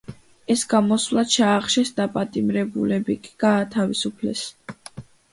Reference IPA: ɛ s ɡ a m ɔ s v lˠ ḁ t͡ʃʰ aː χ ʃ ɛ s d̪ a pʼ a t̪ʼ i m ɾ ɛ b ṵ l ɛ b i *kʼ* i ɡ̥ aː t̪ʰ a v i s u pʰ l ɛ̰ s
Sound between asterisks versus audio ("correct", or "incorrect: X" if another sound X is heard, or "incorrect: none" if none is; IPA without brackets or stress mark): correct